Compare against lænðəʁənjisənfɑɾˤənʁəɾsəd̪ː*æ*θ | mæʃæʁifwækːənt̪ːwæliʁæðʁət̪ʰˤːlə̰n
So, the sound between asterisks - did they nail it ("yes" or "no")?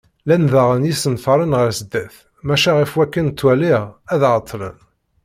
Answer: yes